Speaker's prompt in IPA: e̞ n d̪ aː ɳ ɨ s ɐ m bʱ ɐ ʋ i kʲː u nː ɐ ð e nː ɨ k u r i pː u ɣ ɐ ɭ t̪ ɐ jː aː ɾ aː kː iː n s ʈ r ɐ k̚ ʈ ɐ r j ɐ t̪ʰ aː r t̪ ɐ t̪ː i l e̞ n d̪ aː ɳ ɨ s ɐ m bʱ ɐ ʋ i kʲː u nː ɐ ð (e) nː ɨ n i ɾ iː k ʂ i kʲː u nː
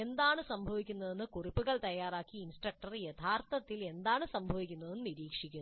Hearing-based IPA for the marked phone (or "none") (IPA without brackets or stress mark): e